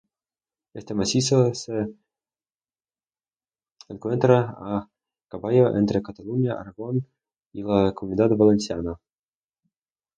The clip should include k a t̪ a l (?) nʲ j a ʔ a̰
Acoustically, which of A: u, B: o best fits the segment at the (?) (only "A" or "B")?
A